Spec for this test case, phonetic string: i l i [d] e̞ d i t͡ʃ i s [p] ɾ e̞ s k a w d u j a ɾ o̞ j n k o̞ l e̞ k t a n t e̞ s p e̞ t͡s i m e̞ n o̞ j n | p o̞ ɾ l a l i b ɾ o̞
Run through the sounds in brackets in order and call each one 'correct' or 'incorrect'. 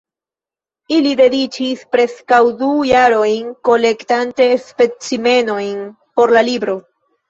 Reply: correct, correct

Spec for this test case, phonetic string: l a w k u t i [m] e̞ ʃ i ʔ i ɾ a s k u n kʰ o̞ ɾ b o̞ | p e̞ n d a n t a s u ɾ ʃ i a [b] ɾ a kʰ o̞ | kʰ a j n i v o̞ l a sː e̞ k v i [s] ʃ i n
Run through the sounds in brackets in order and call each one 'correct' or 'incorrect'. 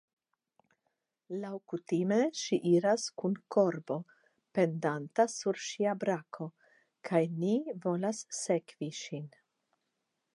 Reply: correct, correct, incorrect: none

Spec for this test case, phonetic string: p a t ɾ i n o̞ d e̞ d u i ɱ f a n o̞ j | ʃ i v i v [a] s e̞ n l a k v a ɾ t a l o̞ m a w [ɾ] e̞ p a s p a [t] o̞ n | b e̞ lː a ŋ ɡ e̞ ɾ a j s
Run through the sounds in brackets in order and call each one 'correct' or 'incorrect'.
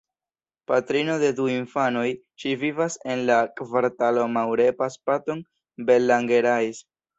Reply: correct, correct, correct

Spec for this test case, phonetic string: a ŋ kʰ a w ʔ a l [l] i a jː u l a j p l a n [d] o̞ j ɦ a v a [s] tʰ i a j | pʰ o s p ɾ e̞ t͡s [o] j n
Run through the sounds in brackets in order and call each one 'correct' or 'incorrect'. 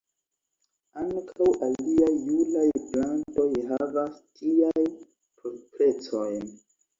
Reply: correct, incorrect: t, correct, correct

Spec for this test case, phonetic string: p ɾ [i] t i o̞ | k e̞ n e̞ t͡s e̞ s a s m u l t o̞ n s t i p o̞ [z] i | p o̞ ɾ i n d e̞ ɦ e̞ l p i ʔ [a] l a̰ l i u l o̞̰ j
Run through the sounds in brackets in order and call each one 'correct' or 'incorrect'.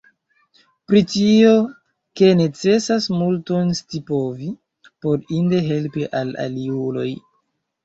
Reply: correct, incorrect: v, correct

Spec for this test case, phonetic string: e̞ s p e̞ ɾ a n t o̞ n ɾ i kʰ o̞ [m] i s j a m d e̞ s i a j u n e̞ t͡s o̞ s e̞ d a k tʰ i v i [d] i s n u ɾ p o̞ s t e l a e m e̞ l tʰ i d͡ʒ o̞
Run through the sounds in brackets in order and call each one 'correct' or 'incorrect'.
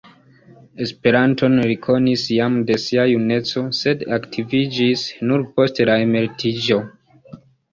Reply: incorrect: n, incorrect: d͡ʒ

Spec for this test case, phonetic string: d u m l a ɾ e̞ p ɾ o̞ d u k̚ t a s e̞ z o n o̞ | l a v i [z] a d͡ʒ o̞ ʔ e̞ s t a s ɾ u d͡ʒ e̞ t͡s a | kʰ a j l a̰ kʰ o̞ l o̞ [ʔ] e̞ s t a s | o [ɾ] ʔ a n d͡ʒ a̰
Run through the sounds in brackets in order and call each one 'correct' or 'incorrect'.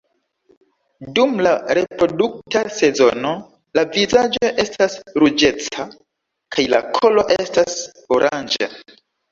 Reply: correct, correct, correct

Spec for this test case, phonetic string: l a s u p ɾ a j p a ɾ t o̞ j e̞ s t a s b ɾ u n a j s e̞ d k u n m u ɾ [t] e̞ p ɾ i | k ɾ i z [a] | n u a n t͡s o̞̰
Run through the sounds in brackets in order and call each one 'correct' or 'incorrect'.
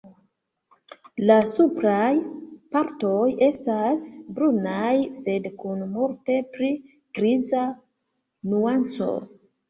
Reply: correct, correct

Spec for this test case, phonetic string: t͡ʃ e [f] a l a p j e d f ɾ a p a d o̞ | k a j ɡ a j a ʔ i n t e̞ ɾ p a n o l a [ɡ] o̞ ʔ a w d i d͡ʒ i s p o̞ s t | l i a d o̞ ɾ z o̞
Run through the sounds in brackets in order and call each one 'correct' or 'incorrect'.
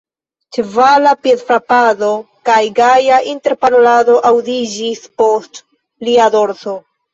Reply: incorrect: v, incorrect: d

